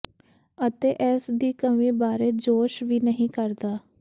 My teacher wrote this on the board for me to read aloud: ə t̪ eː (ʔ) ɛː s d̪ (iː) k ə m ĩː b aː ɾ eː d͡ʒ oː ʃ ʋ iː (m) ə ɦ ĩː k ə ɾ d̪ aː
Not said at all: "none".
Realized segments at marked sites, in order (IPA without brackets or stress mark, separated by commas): ʔ, iː, n